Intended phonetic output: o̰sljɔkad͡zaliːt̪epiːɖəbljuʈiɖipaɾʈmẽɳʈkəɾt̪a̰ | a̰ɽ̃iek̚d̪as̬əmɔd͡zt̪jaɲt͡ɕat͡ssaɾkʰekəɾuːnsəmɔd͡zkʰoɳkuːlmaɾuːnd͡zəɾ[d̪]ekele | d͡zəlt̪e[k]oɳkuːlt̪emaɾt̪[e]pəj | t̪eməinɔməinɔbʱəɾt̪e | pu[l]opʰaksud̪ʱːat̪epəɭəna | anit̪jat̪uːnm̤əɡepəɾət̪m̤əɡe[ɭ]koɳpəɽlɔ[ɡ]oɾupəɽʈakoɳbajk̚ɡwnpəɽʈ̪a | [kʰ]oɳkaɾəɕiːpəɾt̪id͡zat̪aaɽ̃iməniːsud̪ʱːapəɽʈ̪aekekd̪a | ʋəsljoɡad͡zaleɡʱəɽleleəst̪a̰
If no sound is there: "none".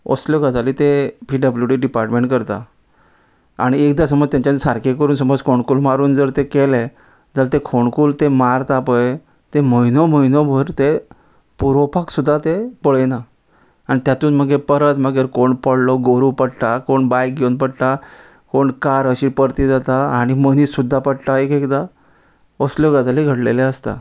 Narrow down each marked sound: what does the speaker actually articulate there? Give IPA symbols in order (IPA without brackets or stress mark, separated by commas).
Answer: t̪, kʰ, a, ɾ, ɾ, ɡ, k